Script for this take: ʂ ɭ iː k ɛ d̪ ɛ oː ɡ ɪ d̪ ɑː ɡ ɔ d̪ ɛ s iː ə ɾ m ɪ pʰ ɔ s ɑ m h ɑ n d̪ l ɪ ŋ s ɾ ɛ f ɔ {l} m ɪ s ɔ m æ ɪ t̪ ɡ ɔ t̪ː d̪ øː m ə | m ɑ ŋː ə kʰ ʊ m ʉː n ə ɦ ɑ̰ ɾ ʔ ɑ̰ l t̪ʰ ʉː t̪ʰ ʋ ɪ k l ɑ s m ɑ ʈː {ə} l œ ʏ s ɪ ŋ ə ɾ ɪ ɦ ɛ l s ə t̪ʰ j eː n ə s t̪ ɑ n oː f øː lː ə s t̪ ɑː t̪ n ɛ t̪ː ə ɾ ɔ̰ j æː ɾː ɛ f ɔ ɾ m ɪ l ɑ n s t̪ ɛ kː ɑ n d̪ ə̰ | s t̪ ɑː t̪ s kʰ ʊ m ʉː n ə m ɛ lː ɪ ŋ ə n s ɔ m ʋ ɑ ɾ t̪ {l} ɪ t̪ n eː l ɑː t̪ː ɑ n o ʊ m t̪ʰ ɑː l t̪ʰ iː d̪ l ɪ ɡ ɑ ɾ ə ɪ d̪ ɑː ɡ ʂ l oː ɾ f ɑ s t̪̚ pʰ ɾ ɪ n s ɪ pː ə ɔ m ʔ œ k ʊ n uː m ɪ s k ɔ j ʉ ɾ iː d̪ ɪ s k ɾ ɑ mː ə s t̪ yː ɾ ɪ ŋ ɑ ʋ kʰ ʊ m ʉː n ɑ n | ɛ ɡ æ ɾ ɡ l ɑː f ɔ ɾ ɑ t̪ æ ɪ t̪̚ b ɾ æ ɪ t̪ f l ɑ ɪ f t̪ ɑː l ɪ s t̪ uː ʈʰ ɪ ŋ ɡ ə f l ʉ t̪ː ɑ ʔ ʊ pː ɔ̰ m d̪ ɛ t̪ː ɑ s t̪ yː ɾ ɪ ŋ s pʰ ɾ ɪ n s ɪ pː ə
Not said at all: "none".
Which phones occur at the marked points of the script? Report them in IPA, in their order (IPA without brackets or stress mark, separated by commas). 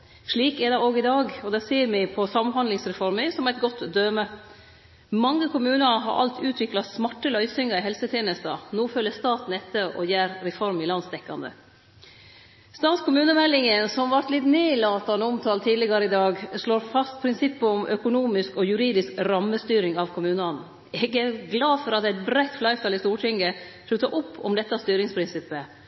ɾ, ə, l